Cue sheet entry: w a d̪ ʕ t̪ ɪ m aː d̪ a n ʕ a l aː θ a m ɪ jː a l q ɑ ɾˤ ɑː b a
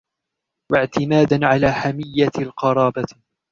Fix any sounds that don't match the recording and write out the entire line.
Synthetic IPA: w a ʕ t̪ ɪ m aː d̪ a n ʕ a l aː ħ a m ɪ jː a l q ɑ ɾˤ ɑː b a